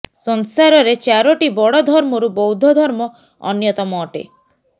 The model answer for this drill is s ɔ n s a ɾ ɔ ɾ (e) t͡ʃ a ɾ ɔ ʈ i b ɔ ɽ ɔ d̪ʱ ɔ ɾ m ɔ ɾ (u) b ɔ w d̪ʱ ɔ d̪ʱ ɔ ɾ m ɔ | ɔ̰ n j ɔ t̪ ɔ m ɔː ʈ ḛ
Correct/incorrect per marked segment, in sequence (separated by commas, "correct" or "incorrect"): correct, correct